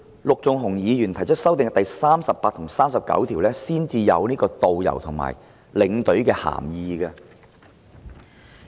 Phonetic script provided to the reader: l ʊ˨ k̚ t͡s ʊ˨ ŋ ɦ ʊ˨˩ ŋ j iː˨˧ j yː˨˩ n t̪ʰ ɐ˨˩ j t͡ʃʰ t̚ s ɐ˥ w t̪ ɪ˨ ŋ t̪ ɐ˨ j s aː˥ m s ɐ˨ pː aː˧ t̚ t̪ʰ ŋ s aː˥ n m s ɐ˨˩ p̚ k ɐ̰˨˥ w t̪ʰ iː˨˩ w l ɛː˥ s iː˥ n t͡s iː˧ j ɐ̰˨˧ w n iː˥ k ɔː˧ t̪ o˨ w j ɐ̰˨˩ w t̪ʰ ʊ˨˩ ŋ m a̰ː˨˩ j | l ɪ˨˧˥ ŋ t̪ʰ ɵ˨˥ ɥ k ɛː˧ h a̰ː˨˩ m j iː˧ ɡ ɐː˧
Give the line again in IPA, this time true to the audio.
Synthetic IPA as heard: l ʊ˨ k̚ t͡s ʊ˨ ŋ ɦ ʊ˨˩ ŋ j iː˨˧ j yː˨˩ n t̪ʰ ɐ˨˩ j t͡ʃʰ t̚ s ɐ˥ w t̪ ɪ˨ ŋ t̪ ɐ˨ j s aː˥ m s ɐ˨ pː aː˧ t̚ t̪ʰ ŋ s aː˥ m s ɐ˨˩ p̚ k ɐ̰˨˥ w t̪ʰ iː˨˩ w l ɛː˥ s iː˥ n t͡s iː˧ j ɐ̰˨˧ w n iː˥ k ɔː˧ t̪ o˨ w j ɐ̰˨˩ w t̪ʰ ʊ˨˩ ŋ m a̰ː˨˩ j | l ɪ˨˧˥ ŋ t̪ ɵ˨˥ ɥ k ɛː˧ h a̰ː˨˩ m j iː˧ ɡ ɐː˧